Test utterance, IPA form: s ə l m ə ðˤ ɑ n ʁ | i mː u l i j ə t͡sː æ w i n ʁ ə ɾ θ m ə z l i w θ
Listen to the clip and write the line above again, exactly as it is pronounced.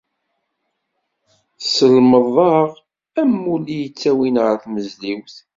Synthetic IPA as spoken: s ə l m ə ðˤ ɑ ʁ | æ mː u l i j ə t͡sː æ w i n ʁ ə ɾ θ m ə z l i w θ